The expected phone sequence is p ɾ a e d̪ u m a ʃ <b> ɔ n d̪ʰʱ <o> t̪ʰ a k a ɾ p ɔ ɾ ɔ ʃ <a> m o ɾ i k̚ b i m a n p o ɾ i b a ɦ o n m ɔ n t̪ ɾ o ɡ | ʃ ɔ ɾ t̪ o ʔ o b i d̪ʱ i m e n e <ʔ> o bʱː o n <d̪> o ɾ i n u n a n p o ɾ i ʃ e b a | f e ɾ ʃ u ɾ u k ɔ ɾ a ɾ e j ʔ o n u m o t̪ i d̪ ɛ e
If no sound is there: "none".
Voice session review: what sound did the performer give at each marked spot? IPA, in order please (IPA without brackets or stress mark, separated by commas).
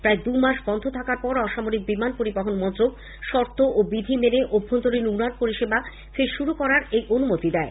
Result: b, o, a, ʔ, t̪